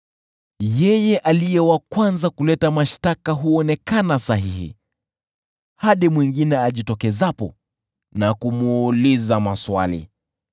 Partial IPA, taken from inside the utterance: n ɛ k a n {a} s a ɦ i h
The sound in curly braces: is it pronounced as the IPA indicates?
yes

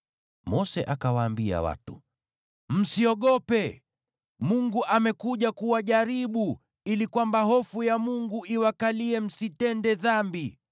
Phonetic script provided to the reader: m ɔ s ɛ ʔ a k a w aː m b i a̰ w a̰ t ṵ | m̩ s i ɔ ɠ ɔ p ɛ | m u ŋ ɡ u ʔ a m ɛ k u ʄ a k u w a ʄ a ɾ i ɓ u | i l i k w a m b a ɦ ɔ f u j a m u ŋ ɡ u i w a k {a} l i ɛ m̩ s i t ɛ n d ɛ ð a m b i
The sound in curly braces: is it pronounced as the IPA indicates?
yes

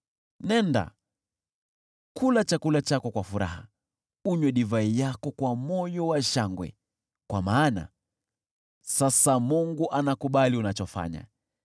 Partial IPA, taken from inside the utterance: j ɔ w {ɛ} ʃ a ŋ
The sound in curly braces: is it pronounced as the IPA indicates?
no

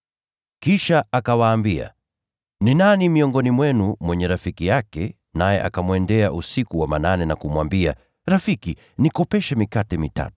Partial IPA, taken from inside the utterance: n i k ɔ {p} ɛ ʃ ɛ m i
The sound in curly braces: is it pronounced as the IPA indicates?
yes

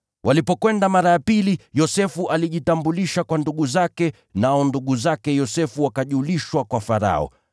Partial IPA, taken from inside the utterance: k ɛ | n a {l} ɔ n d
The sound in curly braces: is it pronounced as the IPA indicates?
no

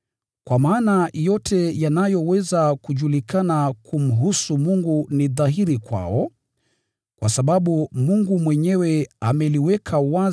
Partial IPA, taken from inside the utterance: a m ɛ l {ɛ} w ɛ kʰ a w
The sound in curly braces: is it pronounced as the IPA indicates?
no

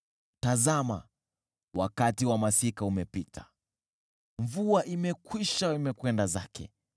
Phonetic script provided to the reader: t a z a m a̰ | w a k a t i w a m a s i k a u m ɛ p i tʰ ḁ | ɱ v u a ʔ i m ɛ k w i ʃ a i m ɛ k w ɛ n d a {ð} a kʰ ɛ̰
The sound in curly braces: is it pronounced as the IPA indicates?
no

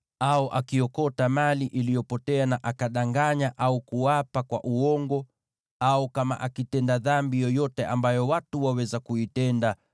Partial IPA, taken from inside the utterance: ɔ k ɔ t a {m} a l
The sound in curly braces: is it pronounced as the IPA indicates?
yes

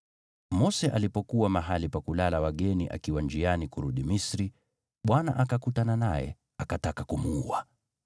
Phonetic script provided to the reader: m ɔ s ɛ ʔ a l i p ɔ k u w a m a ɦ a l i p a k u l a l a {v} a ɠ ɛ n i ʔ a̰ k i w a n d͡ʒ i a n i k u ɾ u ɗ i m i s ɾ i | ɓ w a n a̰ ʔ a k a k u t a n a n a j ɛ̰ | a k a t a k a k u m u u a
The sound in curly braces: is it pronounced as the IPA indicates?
no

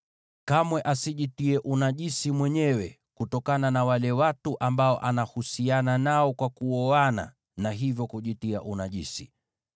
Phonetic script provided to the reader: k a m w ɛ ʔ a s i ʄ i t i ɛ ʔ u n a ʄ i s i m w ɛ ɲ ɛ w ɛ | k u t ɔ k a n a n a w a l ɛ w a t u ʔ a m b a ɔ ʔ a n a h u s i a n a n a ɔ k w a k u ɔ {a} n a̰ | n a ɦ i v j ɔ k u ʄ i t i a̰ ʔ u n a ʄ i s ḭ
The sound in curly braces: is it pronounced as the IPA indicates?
yes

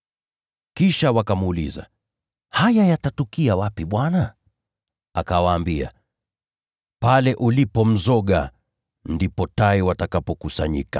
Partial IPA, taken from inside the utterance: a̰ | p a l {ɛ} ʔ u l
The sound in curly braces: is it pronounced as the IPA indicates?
yes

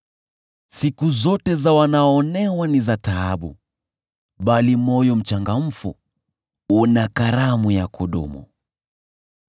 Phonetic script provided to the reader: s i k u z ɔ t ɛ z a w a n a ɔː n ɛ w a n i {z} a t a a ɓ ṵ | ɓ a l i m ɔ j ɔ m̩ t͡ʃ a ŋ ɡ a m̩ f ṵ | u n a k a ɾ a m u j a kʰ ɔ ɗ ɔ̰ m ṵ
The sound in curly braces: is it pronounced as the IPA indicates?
yes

